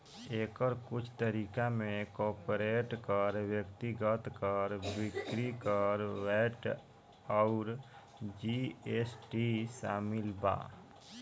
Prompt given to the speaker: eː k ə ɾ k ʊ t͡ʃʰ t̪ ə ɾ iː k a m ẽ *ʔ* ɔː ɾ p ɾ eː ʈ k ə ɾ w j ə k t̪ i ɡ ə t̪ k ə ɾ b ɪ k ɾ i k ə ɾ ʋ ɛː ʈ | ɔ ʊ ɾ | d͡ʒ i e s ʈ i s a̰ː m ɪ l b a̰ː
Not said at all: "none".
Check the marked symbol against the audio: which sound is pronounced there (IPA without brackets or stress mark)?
k